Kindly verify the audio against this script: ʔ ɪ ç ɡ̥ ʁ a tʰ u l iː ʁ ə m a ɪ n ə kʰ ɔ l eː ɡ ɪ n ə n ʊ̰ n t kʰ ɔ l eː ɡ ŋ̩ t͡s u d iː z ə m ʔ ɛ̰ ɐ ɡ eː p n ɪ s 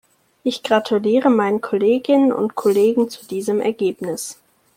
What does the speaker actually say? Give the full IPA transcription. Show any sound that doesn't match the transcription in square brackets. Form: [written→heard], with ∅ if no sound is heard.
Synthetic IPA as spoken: ʔ ɪ ç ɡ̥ ʁ a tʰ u l iː ʁ ə m a ɪ n ə kʰ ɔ l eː ɡ ɪ n ə n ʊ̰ n t kʰ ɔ l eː ɡ ŋ̩ t͡s u d iː z ə m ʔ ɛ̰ ɐ ɡ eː p n ɪ s

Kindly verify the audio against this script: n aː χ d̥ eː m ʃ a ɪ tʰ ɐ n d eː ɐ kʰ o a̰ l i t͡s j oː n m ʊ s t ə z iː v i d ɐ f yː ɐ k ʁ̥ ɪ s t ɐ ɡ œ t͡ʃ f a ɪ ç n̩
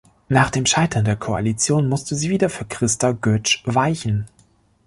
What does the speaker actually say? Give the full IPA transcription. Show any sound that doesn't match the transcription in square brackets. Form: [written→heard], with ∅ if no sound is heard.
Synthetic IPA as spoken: n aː χ d̥ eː m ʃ a ɪ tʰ ɐ n d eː ɐ kʰ o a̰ l i t͡s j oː n m ʊ s t ə z iː v [i→iː] d ɐ f yː ɐ k ʁ̥ ɪ s t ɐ ɡ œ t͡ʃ [f→v] a ɪ ç n̩

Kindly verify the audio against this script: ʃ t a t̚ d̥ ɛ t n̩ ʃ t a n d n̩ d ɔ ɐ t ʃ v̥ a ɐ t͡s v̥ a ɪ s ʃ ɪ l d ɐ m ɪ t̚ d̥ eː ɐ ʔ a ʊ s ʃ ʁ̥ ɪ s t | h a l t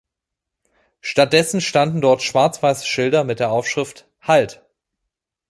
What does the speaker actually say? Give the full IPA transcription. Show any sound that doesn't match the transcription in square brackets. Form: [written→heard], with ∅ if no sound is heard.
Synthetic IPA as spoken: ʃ t a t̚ d̥ ɛ [t→s] n̩ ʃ t a n d n̩ d ɔ ɐ t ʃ v̥ a ɐ t͡s v̥ a ɪ s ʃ ɪ l d ɐ m ɪ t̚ d̥ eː ɐ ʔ a ʊ [s→f] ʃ ʁ̥ ɪ [s→f] t | h a l t

